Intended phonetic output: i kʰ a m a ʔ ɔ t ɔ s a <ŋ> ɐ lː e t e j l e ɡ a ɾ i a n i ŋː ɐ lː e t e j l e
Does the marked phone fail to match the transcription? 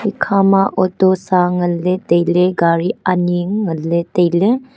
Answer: no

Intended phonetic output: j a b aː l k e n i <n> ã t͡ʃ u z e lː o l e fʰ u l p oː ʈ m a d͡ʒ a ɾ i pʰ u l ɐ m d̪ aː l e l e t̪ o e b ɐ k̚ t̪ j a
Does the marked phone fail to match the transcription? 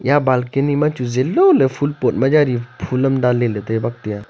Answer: yes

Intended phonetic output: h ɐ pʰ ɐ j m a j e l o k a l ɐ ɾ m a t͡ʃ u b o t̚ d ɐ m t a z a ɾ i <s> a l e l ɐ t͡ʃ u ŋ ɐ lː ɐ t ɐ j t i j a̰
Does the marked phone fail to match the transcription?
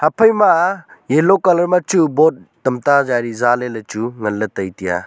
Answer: yes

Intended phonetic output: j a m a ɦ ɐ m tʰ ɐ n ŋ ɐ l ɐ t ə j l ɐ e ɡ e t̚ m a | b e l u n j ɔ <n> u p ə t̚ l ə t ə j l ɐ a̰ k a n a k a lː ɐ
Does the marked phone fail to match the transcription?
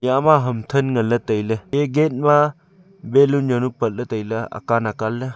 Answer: no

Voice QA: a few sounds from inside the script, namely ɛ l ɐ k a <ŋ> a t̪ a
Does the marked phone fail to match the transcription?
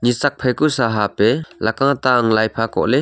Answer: no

